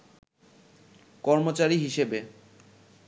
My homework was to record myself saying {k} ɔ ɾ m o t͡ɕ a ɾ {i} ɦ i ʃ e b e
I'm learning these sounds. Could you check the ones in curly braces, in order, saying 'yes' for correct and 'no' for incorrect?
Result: yes, yes

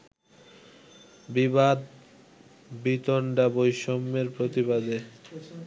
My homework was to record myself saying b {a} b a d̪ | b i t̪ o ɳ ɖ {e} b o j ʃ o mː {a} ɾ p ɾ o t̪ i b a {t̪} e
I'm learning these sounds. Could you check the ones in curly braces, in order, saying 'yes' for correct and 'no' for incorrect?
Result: no, no, no, no

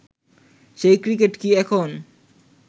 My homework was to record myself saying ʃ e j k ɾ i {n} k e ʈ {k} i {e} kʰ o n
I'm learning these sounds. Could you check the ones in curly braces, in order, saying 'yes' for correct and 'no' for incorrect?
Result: no, yes, no

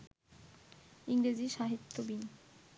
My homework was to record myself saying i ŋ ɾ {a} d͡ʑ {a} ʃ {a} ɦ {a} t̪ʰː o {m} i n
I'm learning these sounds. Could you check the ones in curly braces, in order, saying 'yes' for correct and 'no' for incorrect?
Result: no, no, yes, no, no

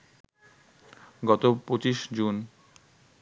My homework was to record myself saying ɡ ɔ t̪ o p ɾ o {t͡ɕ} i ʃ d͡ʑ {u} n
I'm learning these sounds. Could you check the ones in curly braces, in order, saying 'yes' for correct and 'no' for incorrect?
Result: yes, yes

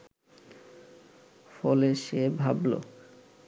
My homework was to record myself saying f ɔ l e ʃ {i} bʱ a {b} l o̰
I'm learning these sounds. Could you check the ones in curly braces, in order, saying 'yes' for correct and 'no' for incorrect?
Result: no, yes

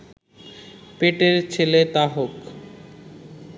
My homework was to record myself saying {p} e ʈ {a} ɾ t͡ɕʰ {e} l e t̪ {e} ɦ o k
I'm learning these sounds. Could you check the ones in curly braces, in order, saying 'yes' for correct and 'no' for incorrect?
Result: yes, no, yes, no

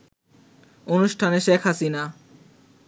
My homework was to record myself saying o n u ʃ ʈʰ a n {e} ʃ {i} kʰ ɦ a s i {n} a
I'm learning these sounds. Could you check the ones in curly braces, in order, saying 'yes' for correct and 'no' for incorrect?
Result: yes, no, yes

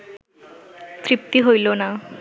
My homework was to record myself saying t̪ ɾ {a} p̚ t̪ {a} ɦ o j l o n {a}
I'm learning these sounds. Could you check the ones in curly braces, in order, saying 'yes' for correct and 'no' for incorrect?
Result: no, no, yes

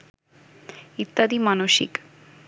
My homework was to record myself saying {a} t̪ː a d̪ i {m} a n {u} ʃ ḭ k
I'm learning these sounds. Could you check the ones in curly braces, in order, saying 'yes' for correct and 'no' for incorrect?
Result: no, yes, no

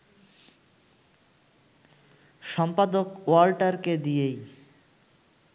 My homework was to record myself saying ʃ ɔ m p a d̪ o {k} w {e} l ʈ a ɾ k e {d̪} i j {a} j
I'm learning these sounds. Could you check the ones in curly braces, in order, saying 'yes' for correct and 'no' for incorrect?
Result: yes, no, yes, no

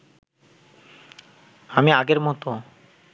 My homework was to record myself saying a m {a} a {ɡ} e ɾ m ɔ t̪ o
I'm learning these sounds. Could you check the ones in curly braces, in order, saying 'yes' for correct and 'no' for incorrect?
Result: no, yes

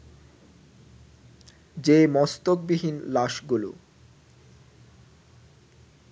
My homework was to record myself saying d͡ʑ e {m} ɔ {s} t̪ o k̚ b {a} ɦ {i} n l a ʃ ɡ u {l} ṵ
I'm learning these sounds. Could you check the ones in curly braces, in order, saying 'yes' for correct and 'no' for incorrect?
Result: yes, yes, no, yes, yes

